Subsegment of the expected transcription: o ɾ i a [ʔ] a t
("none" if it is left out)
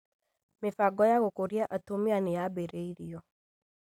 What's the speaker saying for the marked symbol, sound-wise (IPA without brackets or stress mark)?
ʔ